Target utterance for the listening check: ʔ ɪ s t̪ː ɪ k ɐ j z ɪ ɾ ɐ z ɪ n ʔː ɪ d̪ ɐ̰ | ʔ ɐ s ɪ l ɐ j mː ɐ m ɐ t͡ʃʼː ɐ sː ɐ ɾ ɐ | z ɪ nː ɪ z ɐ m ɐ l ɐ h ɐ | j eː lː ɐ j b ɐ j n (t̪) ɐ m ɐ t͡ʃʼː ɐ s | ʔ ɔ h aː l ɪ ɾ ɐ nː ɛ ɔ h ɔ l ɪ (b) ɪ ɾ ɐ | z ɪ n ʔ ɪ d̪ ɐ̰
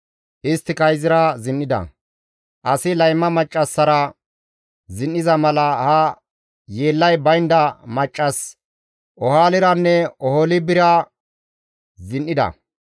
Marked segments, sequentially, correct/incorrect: incorrect: d̪, correct

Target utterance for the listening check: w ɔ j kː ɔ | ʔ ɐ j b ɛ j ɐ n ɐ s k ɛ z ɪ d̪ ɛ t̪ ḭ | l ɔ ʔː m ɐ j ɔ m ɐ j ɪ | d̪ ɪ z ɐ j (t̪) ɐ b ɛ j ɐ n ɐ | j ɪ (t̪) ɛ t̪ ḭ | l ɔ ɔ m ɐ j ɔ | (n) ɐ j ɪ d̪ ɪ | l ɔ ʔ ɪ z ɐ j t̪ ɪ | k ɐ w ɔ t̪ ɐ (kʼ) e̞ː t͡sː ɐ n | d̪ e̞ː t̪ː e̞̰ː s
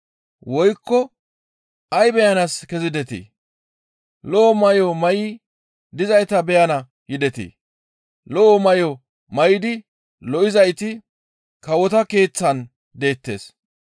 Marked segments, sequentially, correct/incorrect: correct, incorrect: d̪, incorrect: m, incorrect: k

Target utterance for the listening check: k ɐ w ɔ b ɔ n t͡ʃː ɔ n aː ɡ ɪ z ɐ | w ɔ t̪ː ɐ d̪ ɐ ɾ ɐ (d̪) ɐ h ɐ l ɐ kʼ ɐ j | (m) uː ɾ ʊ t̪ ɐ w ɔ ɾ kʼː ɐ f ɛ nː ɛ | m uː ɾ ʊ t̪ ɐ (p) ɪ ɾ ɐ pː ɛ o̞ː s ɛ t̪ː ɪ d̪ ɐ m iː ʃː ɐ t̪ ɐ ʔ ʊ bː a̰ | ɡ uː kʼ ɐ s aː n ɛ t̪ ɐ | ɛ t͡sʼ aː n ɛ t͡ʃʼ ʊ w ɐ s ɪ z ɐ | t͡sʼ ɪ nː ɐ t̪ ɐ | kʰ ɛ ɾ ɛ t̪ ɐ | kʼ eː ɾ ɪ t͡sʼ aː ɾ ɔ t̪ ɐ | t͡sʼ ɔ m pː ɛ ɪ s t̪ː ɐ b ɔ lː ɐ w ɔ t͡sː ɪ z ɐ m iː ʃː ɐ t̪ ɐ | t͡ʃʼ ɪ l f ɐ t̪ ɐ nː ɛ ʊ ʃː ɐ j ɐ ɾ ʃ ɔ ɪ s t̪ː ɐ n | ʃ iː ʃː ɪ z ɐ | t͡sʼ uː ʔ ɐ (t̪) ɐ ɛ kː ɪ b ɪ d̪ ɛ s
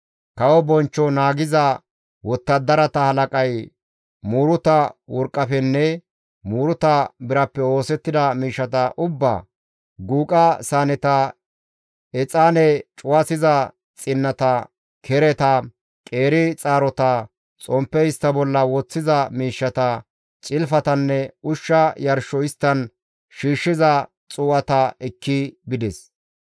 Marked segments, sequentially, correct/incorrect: incorrect: t̪, correct, incorrect: b, correct

